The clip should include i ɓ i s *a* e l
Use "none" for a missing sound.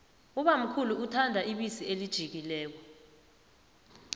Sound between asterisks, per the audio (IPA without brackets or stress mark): i